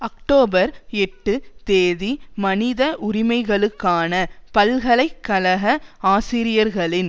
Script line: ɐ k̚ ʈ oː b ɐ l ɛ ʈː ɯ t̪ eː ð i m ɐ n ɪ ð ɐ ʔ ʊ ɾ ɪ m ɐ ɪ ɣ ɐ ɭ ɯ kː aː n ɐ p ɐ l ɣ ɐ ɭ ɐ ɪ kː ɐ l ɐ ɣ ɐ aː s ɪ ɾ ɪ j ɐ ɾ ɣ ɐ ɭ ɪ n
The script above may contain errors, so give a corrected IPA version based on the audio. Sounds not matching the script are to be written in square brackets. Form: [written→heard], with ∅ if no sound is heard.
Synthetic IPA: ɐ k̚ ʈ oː b ɐ [l→ɾ] ɛ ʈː ɯ t̪ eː ð i m ɐ n ɪ ð ɐ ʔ ʊ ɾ ɪ m ɐ ɪ ɣ ɐ ɭ ɯ kː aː n ɐ p ɐ l ɣ ɐ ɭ ɐ ɪ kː ɐ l ɐ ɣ ɐ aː s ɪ ɾ ɪ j ɐ ɾ ɣ ɐ ɭ ɪ n

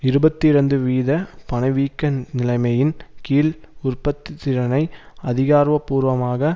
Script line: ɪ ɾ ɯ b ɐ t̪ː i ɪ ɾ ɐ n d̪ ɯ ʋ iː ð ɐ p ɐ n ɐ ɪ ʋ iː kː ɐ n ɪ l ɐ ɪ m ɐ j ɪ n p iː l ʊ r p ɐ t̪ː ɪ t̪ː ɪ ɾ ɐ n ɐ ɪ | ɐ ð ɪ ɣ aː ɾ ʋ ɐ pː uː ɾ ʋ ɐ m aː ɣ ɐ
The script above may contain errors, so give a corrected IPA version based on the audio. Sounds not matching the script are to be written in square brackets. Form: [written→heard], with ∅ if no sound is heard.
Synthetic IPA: ɪ ɾ ɯ b ɐ t̪ː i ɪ ɾ ɐ n d̪ ɯ ʋ iː ð ɐ p ɐ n ɐ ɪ ʋ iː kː ɐ n ɪ l ɐ ɪ m ɐ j ɪ n [p→k] iː l ʊ r p ɐ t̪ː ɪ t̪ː ɪ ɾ ɐ n ɐ ɪ | ɐ ð ɪ ɣ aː ɾ ʋ ɐ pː uː ɾ ʋ ɐ m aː ɣ ɐ

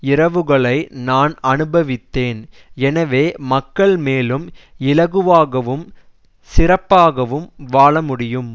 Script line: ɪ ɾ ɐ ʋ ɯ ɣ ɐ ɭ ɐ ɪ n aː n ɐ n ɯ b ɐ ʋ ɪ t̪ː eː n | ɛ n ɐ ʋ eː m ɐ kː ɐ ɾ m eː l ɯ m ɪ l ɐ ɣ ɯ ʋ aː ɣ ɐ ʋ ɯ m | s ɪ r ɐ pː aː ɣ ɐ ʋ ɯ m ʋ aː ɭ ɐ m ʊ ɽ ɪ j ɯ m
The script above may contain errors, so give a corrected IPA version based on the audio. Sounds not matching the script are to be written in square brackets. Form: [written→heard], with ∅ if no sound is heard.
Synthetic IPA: ɪ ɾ ɐ ʋ ɯ ɣ ɐ ɭ ɐ ɪ n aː n ɐ n ɯ b ɐ ʋ ɪ t̪ː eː n | ɛ n ɐ ʋ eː m ɐ kː ɐ [ɾ→ɭ] m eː l ɯ m ɪ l ɐ ɣ ɯ ʋ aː ɣ ɐ ʋ ɯ m | s ɪ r ɐ pː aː ɣ ɐ ʋ ɯ m ʋ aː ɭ ɐ m ʊ ɽ ɪ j ɯ m

